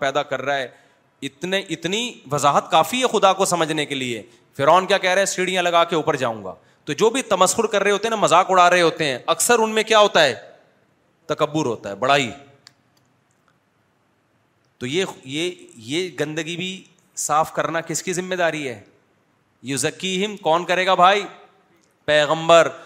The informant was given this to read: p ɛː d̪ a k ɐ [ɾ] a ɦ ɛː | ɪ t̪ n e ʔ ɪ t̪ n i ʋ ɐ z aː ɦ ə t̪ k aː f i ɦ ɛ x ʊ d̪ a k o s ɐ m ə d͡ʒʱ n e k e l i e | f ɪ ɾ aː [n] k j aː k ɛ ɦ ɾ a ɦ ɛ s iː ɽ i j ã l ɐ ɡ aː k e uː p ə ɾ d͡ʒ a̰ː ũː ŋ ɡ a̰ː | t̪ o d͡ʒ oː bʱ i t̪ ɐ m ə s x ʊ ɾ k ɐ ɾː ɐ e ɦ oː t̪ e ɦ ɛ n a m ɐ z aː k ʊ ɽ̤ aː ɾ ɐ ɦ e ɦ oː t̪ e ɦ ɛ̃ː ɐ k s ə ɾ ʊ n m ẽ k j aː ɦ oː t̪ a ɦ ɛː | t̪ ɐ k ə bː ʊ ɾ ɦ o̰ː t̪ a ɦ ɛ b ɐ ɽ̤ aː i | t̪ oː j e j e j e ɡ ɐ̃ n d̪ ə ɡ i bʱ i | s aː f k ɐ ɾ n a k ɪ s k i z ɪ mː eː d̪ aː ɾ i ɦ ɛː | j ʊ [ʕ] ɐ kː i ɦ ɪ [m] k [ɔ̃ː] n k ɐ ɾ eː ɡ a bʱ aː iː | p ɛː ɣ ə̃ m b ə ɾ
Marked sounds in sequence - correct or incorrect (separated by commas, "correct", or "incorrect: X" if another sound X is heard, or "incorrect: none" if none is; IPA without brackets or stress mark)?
incorrect: ɾː, correct, incorrect: z, correct, incorrect: ɔː